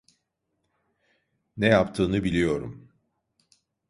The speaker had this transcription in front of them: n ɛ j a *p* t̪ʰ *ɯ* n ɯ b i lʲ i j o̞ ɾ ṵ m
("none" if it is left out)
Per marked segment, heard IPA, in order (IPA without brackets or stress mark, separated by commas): p, ɯː